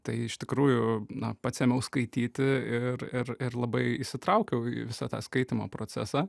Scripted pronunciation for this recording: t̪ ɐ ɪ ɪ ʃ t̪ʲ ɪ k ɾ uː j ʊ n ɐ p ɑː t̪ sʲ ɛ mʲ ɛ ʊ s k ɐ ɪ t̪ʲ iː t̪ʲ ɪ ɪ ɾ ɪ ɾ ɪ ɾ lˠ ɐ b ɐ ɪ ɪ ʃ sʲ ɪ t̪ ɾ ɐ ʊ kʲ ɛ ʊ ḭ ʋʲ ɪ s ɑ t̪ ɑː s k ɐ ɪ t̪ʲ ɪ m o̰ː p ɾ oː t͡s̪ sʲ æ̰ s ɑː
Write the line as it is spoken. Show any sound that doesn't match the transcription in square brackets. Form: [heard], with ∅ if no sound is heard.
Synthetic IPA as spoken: t̪ ɐ ɪ ɪ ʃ t̪ʲ ɪ k ɾ uː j ʊ n ɐ p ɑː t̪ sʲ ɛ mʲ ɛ ʊ s k ɐ ɪ t̪ʲ iː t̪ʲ ɪ ɪ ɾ ɪ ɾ ɪ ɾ lˠ ɐ b ɐ ɪ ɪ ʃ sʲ ɪ t̪ ɾ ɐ ʊ kʲ ɛ ʊ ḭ ʋʲ ɪ s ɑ t̪ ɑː s k ɐ ɪ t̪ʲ ɪ m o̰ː p ɾ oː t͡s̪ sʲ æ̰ s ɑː

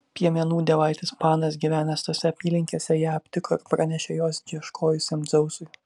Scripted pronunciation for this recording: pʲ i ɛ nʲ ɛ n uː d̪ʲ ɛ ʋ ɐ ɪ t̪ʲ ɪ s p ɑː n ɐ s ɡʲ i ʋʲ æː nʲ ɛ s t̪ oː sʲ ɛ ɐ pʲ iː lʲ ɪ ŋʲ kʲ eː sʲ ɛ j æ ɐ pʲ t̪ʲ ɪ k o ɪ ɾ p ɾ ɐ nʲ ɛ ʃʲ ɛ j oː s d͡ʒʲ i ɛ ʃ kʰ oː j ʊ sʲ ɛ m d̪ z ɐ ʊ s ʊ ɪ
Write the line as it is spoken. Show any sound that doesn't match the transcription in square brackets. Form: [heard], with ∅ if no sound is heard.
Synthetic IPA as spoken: pʲ i ɛ [mʲ] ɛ n uː d̪ʲ ɛ ʋ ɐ ɪ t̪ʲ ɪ s p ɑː n ɐ s ɡʲ i ʋʲ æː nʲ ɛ s t̪ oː sʲ ɛ ɐ pʲ iː lʲ ɪ ŋʲ kʲ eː sʲ ɛ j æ ɐ pʲ t̪ʲ ɪ k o ɪ ɾ p ɾ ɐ nʲ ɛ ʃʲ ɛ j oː s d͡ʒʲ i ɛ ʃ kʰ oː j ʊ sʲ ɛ m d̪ z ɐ ʊ s ʊ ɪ

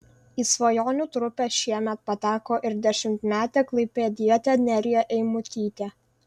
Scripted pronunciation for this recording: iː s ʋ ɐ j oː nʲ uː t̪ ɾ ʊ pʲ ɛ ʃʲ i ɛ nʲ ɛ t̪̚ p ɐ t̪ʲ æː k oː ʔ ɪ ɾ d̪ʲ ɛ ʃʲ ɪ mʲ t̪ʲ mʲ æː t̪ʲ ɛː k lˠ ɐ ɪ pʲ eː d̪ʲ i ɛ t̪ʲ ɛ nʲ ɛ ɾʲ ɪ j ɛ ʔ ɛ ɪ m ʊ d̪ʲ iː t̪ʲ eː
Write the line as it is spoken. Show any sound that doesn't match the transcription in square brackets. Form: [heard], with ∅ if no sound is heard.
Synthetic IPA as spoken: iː s ʋ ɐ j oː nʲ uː t̪ ɾ ʊ pʲ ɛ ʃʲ i ɛ [mʲ] ɛ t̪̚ p ɐ t̪ʲ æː k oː ʔ ɪ ɾ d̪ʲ ɛ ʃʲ ɪ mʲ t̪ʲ mʲ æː t̪ʲ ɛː k lˠ ɐ ɪ pʲ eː d̪ʲ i ɛ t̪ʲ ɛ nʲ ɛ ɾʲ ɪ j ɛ ʔ ɛ ɪ m ʊ [t̪ʲ] iː t̪ʲ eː

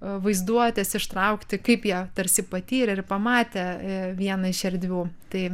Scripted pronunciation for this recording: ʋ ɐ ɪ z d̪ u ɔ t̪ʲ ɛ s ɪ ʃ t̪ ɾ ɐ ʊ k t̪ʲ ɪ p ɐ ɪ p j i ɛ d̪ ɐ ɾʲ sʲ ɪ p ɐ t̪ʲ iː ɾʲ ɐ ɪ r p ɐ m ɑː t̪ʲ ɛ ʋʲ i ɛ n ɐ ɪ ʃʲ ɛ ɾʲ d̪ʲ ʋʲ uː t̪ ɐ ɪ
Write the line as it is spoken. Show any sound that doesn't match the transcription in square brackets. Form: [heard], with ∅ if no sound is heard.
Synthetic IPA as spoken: ʋ ɐ ɪ z d̪ u ɔ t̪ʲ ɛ s ɪ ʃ t̪ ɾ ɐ ʊ k t̪ʲ ɪ [k] ɐ ɪ p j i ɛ [t̪] ɐ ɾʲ sʲ ɪ p ɐ t̪ʲ iː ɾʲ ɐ ɪ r p ɐ m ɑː t̪ʲ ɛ ʋʲ i ɛ n ɐ ɪ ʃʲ ɛ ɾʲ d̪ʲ ʋʲ uː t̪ ɐ ɪ

